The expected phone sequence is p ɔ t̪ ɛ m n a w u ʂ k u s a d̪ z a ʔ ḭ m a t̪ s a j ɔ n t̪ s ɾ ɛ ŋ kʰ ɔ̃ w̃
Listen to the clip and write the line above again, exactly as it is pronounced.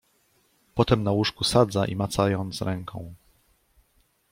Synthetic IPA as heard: p ɔ t̪ ɛ m n a w u ʂ k u s a d̪ z a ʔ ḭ m a t̪ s a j ɔ n t̪ s ɾ ɛ ŋ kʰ ɔ̃ w̃